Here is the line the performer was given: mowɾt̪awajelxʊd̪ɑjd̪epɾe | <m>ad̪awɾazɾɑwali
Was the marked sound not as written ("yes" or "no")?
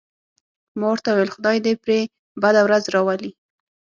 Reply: yes